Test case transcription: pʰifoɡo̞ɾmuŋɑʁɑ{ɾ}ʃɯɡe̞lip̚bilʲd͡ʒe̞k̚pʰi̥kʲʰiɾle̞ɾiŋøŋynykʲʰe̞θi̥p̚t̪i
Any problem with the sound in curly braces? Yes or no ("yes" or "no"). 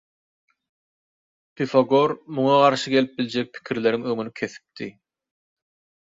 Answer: no